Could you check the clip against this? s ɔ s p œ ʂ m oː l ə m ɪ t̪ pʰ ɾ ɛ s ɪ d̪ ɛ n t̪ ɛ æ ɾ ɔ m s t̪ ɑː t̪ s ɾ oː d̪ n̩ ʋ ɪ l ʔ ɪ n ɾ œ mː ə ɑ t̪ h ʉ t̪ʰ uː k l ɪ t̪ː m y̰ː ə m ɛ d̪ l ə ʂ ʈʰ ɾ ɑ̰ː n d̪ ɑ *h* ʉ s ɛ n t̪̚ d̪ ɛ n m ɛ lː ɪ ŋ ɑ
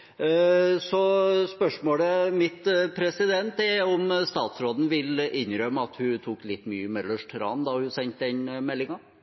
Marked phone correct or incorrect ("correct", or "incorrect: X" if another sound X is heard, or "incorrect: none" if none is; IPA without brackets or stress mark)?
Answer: correct